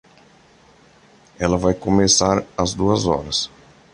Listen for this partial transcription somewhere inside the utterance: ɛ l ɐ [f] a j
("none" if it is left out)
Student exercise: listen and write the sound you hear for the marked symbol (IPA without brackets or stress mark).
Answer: v